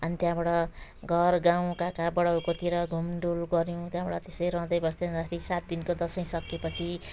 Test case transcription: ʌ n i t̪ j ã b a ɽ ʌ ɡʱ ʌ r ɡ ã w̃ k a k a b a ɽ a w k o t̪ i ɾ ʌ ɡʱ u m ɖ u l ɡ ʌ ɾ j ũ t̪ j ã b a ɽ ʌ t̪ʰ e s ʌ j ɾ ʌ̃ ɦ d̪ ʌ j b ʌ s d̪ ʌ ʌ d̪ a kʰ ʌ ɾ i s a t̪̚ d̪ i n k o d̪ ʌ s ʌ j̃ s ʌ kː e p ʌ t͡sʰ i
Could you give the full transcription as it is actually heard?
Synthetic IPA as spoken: ʌ n i t̪ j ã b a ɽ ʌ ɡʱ ʌ r ɡ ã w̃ k a k a b ʌ ɽ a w k o t̪ i ɾ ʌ ɡʱ u m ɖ u l ɡ ʌ ɾ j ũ t̪ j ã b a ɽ ʌ t̪ e s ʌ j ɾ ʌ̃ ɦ d̪ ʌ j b ʌ s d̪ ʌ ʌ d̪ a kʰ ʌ ɾ i s a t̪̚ d̪ i n k o d̪ ʌ s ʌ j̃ s ʌ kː e p ʌ t͡sʰ i